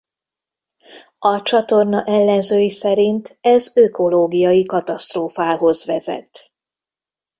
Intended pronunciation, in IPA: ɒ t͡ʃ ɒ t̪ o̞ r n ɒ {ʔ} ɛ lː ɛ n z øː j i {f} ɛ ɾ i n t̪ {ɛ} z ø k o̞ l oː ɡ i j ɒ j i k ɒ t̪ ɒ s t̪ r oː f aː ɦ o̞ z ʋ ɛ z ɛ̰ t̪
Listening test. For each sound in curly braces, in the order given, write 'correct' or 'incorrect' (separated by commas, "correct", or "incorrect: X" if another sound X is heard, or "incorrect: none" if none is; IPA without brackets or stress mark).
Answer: correct, incorrect: s, correct